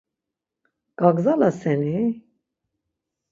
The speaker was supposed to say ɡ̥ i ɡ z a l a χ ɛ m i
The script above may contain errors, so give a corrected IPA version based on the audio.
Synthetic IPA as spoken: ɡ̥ a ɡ z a l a s ɛ n i